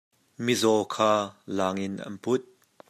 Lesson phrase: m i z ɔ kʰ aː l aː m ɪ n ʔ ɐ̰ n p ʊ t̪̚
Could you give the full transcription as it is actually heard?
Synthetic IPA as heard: m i z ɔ kʰ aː l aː ŋ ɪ n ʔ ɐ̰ n p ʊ t̪̚